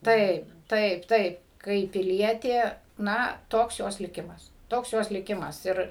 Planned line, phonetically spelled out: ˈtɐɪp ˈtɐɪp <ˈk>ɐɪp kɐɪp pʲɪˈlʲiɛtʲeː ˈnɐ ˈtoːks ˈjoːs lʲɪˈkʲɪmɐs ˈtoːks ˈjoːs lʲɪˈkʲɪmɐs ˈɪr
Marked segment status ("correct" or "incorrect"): incorrect